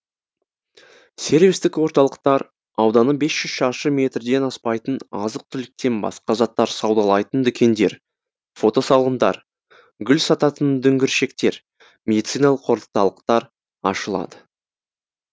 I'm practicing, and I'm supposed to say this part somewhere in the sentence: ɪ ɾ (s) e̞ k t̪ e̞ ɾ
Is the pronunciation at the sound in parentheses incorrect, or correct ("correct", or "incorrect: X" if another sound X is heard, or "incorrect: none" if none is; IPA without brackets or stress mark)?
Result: incorrect: ʃ